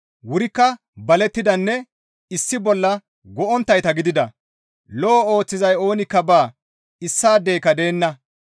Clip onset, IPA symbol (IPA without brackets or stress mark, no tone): w